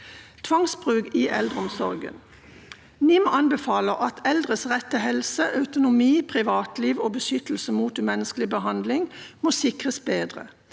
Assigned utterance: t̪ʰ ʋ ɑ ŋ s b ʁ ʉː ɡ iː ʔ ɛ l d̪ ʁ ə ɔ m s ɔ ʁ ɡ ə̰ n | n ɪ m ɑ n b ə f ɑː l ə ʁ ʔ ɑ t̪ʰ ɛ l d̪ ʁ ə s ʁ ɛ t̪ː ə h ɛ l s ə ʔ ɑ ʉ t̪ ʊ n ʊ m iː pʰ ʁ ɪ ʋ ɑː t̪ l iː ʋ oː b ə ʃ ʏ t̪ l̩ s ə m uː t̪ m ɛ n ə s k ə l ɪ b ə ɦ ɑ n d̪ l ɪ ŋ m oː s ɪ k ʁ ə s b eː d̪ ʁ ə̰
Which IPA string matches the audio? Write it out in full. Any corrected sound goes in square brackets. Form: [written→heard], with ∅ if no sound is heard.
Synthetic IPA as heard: t̪ʰ ʋ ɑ ŋ s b ʁ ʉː ɡ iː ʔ ɛ l d̪ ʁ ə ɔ m s ɔ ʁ ɡ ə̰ n | n ɪ m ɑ n b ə f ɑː l ə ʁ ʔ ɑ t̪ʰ ɛ l d̪ ʁ ə s ʁ ɛ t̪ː ə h ɛ l s ə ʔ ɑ ʉ t̪ ʊ n ʊ m iː pʰ ʁ ɪ ʋ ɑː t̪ l iː ʋ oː b ə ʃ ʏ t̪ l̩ s ə m uː t̪ m ɛ n ə s k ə l ɪ b ə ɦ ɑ n d̪ l ɪ ŋ m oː s ɪ k ʁ ə s b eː d̪ ʁ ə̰